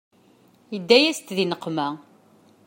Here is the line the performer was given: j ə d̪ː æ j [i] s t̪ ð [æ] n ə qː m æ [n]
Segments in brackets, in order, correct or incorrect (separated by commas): incorrect, incorrect, incorrect